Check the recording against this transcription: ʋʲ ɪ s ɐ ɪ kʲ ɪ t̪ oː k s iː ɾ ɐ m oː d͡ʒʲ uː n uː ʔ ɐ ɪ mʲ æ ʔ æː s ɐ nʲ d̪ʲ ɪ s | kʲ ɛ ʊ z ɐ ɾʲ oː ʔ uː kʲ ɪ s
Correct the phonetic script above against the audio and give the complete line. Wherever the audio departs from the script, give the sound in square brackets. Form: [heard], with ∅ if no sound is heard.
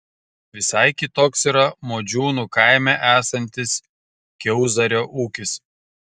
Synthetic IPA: ʋʲ ɪ s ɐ ɪ kʲ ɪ t̪ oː k s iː ɾ ɐ m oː d͡ʒʲ uː n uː [k] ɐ ɪ mʲ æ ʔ æː s ɐ nʲ [t̪ʲ] ɪ s | kʲ ɛ ʊ z ɐ ɾʲ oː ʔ uː kʲ ɪ s

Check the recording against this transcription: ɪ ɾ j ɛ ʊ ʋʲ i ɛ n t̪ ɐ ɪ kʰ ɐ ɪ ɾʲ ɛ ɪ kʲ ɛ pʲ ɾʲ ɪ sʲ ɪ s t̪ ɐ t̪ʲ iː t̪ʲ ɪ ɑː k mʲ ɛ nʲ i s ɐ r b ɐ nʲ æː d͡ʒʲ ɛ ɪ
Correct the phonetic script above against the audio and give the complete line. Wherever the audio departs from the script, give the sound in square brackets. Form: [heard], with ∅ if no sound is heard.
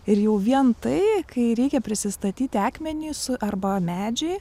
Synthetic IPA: ɪ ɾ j ɛ ʊ ʋʲ i ɛ n t̪ ɐ ɪ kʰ ɐ ɪ ɾʲ ɛ ɪ kʲ ɛ pʲ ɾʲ ɪ sʲ ɪ s t̪ ɐ t̪ʲ iː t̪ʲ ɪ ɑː k mʲ ɛ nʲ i s ɐ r b ɐ [mʲ] æː d͡ʒʲ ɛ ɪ

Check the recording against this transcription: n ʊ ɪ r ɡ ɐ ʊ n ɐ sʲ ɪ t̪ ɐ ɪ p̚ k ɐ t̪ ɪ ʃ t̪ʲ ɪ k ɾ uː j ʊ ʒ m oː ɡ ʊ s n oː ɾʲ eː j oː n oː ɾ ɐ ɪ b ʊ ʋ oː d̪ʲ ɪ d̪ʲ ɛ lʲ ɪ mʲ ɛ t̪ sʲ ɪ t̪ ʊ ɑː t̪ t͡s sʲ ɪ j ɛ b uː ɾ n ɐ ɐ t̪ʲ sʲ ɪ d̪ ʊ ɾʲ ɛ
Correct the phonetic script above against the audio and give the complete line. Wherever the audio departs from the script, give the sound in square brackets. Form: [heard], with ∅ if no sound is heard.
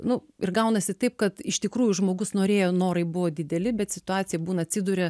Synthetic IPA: n ʊ ɪ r ɡ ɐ ʊ n ɐ sʲ ɪ t̪ ɐ ɪ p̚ k ɐ t̪ ɪ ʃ t̪ʲ ɪ k ɾ uː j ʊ ʒ m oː ɡ ʊ s n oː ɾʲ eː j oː n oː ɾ ɐ ɪ b ʊ ʋ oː d̪ʲ ɪ d̪ʲ ɛ lʲ ɪ [bʲ] ɛ t̪ sʲ ɪ t̪ ʊ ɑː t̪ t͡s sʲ ɪ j ɛ b uː [∅] n ɐ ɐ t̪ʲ sʲ ɪ d̪ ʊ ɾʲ ɛ

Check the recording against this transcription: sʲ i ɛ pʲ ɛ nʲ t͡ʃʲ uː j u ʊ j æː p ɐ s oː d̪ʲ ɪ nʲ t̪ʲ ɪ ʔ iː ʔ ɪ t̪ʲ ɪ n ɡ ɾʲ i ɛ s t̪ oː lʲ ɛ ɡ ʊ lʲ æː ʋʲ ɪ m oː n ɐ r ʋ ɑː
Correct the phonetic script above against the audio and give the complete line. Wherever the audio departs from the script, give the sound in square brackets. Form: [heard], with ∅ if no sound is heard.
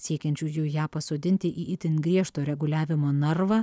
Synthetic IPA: sʲ i ɛ [kʲ] ɛ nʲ t͡ʃʲ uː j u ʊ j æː p ɐ s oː d̪ʲ ɪ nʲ t̪ʲ ɪ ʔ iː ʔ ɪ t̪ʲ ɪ n ɡ ɾʲ i ɛ [ʃ] t̪ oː [ɾʲ] ɛ ɡ ʊ lʲ æː ʋʲ ɪ m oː n ɐ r ʋ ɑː

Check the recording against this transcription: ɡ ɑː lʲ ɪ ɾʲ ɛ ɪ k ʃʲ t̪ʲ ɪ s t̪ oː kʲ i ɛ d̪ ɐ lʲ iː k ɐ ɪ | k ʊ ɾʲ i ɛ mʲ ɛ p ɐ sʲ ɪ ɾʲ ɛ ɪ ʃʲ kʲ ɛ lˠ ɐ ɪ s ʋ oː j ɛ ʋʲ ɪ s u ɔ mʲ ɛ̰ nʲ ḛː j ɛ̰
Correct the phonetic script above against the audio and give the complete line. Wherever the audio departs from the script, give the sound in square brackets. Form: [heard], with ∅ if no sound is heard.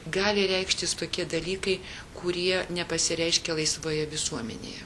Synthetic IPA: ɡ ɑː lʲ ɪ ɾʲ ɛ ɪ k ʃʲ t̪ʲ ɪ s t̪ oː kʲ i ɛ d̪ ɐ lʲ iː k ɐ ɪ | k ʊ ɾʲ i ɛ [nʲ] ɛ p ɐ sʲ ɪ ɾʲ ɛ ɪ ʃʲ kʲ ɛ lˠ ɐ ɪ s ʋ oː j ɛ ʋʲ ɪ s u ɔ mʲ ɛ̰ nʲ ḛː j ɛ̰

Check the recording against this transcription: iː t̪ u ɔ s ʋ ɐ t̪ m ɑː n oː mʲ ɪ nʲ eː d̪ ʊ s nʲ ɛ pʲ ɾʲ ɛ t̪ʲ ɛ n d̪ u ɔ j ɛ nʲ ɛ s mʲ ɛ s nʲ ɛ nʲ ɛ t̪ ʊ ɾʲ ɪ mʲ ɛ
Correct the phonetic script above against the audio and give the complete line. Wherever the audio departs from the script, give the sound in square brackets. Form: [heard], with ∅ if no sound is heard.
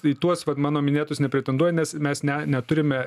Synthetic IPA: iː t̪ u ɔ s ʋ ɐ t̪ m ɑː n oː mʲ ɪ nʲ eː [t̪] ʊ s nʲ ɛ pʲ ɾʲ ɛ t̪ʲ ɛ n d̪ u ɔ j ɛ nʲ ɛ s mʲ ɛ s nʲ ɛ nʲ ɛ t̪ ʊ ɾʲ ɪ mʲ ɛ

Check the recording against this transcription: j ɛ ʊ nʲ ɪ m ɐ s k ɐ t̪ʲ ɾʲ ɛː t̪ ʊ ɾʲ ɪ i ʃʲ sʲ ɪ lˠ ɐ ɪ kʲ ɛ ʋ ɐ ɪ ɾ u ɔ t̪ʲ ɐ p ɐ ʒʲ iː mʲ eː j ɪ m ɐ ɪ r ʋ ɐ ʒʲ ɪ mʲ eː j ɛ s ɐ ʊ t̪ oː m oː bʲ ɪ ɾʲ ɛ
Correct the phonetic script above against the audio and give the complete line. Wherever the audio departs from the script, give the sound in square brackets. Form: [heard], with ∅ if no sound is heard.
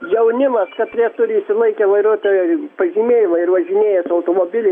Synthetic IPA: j ɛ ʊ nʲ ɪ m ɐ s k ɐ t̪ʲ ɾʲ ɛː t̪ ʊ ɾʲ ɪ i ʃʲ sʲ ɪ lˠ ɐ ɪ kʲ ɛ ʋ ɐ ɪ ɾ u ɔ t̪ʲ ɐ p ɐ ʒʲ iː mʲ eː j ɪ m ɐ ɪ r ʋ ɐ ʒʲ ɪ [nʲ] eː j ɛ s ɐ ʊ t̪ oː m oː bʲ ɪ [lʲ] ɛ

